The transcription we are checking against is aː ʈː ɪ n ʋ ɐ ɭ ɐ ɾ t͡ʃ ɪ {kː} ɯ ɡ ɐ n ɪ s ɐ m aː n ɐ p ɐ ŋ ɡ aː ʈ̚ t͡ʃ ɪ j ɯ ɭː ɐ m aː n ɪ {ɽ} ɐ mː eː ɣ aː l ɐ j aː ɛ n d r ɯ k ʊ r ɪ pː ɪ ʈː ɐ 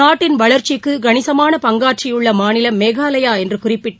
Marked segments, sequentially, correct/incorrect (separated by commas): correct, incorrect